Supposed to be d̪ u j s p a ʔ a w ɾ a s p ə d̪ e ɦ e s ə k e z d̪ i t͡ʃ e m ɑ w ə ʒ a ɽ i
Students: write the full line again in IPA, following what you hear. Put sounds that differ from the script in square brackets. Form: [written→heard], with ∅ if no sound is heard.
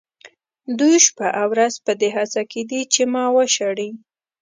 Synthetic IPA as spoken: d̪ u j [s→ʃ] p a ʔ a w ɾ a [s→z] p ə d̪ e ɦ [e→a] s [ə→a] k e [z→∅] d̪ i t͡ʃ e m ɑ w ə [ʒ→ʃ] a ɽ i